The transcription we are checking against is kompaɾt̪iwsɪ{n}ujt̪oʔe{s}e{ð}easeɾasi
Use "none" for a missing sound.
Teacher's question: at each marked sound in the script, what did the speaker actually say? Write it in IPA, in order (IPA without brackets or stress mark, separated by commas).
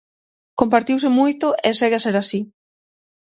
m, s, ɣ